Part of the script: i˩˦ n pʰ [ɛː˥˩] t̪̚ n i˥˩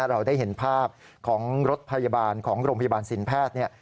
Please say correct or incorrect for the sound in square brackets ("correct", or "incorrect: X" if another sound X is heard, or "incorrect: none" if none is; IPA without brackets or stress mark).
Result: correct